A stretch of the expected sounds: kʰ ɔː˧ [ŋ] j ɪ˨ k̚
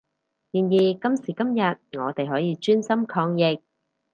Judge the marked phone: correct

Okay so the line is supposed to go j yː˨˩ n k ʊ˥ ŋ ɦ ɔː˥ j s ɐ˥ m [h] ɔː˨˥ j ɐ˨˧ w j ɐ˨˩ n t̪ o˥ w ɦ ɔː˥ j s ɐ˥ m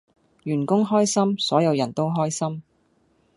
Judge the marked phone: incorrect: s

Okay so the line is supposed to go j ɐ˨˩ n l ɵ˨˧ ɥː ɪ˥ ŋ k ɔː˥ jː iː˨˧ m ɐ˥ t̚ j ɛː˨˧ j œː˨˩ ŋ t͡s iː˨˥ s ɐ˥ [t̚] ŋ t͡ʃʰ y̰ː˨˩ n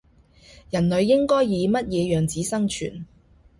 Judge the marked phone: incorrect: none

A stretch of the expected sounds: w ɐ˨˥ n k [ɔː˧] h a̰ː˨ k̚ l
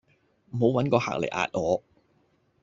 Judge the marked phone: correct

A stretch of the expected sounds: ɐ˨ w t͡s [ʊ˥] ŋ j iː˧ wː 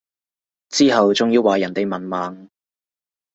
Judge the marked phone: incorrect: ʊ˨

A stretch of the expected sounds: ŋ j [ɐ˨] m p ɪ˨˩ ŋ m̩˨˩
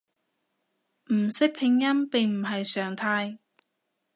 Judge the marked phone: incorrect: ɐ˥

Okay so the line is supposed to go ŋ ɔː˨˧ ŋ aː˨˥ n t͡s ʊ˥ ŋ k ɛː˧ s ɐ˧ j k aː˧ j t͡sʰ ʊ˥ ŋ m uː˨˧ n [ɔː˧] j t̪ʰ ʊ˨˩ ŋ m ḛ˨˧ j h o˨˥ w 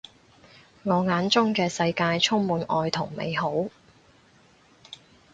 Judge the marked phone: correct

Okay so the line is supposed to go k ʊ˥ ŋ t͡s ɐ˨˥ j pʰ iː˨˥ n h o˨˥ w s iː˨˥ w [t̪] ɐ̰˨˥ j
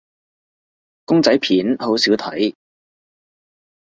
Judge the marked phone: incorrect: t̪ʰ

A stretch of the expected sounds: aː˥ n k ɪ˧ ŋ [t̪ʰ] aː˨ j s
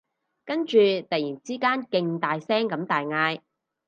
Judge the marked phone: incorrect: t̪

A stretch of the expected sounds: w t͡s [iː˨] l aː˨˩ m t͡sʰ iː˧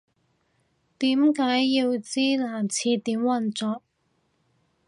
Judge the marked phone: incorrect: iː˥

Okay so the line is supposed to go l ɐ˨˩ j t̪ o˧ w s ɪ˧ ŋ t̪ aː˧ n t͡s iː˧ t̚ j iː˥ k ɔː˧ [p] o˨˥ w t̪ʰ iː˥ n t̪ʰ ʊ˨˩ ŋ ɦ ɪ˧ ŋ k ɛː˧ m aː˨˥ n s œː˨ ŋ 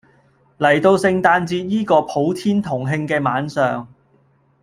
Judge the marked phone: incorrect: pʰ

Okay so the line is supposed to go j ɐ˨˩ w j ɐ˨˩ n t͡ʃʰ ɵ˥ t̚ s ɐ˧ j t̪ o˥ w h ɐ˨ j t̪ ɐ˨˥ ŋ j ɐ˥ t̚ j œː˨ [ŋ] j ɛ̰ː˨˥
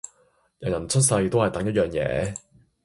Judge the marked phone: correct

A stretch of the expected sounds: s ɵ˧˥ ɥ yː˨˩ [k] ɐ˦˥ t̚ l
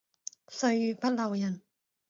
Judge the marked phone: incorrect: p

